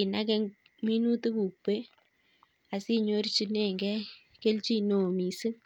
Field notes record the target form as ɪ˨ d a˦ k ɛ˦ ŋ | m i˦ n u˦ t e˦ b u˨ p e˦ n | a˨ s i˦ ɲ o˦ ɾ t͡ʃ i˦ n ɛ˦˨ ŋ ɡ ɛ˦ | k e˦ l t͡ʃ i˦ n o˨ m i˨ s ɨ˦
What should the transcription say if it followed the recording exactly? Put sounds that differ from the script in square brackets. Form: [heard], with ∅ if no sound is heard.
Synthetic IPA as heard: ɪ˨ [n] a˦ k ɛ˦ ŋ | m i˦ n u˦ t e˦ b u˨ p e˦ [∅] | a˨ s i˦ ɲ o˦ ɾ t͡ʃ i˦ n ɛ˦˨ ŋ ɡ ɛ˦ | k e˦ l t͡ʃ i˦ n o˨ m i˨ s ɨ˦